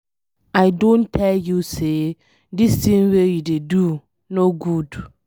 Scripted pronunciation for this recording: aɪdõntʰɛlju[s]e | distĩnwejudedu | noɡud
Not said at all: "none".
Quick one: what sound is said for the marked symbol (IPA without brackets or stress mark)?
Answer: s